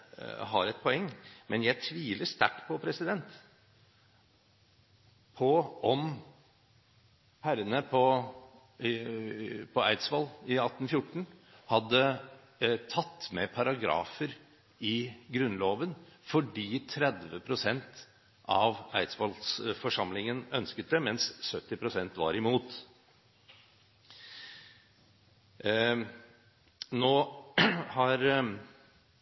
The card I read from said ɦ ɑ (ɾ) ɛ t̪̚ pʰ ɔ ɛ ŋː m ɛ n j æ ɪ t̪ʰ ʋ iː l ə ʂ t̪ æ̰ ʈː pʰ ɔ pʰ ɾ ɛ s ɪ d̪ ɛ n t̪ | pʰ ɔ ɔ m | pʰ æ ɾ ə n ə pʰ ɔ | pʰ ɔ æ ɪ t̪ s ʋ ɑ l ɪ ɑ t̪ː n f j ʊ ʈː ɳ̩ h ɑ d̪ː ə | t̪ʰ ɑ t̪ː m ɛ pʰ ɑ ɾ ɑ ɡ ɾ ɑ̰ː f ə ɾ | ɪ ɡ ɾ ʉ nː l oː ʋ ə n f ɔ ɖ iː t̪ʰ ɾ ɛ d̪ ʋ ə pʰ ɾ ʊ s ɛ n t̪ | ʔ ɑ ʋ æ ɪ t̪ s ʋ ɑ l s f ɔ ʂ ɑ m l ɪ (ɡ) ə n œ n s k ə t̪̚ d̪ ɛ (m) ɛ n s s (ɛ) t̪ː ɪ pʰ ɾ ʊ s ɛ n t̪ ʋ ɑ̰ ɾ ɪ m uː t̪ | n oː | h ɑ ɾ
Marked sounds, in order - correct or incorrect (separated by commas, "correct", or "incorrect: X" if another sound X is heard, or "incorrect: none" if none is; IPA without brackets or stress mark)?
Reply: correct, incorrect: ŋ, correct, incorrect: œ